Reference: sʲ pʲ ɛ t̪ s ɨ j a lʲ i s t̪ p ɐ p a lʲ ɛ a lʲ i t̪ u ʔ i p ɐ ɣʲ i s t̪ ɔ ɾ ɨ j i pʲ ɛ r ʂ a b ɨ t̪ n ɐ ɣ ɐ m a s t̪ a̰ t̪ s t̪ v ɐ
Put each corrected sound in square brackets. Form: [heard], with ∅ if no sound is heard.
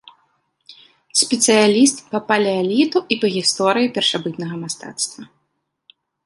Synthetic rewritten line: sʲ pʲ ɛ t̪ s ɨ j a lʲ i s t̪ p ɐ p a lʲ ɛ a lʲ i t̪ u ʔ i p ɐ ɣʲ i s t̪ ɔ ɾ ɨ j i pʲ ɛ r ʂ a b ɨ t̪ n ɐ ɣ ɐ m a s t̪ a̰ t̪ s t̪ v ɐ